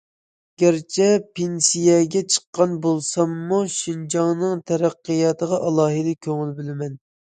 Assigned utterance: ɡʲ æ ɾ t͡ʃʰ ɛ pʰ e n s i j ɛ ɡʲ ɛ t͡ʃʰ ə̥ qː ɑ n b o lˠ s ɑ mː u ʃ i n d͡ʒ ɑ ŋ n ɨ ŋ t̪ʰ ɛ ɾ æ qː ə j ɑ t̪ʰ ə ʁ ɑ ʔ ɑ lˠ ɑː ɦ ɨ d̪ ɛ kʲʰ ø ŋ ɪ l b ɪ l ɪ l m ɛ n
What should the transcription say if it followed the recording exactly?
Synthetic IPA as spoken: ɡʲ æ ɾ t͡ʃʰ ɛ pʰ e n s i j ɛ ɡʲ ɛ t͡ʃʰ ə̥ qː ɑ n b o lˠ s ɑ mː u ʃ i n d͡ʒ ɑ ŋ n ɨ ŋ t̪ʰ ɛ ɾ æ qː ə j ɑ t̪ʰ ə ʁ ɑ ʔ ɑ lˠ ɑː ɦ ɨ d̪ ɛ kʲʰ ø ŋ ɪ l b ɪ l ɪ m ɛ n

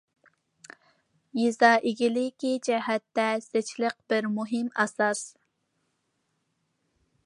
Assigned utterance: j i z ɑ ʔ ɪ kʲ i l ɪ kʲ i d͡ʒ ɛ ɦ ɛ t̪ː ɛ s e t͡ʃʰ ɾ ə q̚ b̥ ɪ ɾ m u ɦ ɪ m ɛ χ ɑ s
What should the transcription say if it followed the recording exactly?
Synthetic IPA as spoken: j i z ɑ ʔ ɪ ɡʲ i l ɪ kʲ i d͡ʒ ɛ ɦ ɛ t̪ː ɛ s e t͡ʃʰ l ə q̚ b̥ ɪ ɾ m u ɦ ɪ m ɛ s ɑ s

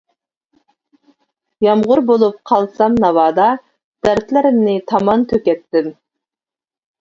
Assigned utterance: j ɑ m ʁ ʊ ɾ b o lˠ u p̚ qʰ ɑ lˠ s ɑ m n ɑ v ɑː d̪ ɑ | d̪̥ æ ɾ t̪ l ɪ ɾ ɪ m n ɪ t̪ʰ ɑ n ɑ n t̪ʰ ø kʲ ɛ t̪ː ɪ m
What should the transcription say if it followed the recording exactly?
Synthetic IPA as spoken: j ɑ m ʁ ʊ ɾ b o lˠ u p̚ qʰ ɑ lˠ s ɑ m n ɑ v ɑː d̪ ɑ | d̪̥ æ ɾ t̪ l ɪ ɾ ɪ m n ɪ t̪ʰ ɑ m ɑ n t̪ʰ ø kʲ ɛ t̪ː ɪ m

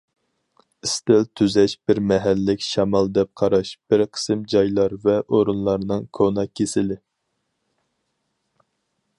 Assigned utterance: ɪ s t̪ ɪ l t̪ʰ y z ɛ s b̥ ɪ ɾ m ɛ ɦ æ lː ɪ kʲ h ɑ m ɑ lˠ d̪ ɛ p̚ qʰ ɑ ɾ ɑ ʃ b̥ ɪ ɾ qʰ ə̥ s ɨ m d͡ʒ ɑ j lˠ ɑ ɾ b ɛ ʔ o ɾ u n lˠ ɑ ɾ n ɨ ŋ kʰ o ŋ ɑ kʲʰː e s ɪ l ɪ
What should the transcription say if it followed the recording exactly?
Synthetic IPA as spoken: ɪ s t̪ ɪ l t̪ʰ y z ɛ ʃ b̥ ɪ ɾ m ɛ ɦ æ lː ɪ kʲ ʃ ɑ m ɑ lˠ d̪ ɛ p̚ qʰ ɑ ɾ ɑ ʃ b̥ ɪ ɾ qʰ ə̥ s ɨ m d͡ʒ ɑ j lˠ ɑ ɾ v ɛ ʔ o ɾ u n lˠ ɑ ɾ n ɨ ŋ kʰ o n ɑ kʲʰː e s ɪ l ɪ

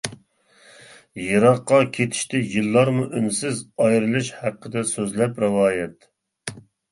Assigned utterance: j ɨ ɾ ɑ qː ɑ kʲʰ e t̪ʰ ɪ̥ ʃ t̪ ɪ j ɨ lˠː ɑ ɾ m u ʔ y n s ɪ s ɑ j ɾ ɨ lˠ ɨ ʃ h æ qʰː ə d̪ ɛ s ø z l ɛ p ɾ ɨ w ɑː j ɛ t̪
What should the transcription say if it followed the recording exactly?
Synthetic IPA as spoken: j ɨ ɾ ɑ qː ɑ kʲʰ e t̪ʰ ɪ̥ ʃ t̪ ɪ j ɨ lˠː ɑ ɾ m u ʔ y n s ɪ z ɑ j ɾ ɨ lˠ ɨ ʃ h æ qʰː ə d̪ ɛ s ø z l ɛ p ɾ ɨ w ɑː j ɛ t̪

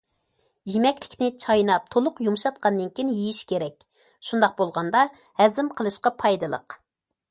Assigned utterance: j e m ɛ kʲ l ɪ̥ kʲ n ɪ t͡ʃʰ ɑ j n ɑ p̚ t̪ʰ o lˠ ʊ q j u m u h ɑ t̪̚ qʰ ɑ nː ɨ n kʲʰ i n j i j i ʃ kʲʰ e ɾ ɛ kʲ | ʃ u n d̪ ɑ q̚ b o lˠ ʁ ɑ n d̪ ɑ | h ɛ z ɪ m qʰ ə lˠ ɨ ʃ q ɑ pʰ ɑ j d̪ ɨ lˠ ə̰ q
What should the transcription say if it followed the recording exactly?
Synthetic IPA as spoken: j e m ɛ kʲ l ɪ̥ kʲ n ɪ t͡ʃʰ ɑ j n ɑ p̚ t̪ʰ o lˠ ʊ q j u m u ʃ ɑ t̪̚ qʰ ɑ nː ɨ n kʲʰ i n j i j i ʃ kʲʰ e ɾ ɛ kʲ | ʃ u n d̪ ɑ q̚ b o lˠ ʁ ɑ n d̪ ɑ | h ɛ z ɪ m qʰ ə lˠ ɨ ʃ q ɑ pʰ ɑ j d̪ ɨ lˠ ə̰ q

